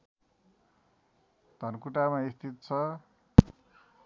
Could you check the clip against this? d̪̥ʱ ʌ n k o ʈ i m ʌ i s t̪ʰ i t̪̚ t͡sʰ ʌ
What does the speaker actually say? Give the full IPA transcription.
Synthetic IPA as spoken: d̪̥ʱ ʌ n k u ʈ a m a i s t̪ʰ i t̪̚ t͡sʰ ʌ